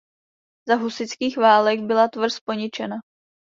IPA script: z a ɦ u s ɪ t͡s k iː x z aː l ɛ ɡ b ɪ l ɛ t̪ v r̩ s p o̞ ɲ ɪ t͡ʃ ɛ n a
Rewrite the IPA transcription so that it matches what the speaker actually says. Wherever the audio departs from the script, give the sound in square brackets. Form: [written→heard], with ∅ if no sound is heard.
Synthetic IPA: z a ɦ u s ɪ t͡s k iː x [z→v] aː l ɛ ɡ b ɪ l [ɛ→a] t̪ v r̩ s p o̞ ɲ ɪ t͡ʃ ɛ n a